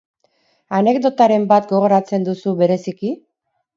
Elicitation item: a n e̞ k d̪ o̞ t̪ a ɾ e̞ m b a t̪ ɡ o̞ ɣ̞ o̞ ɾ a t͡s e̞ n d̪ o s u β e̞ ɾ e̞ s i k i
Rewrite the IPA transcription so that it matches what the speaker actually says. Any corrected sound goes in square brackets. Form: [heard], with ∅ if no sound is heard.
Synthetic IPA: a n e̞ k d̪ o̞ t̪ a ɾ e̞ m b a t̪ ɡ o̞ ɣ̞ o̞ ɾ a t͡s e̞ n d̪ [u] s u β e̞ ɾ e̞ s i k i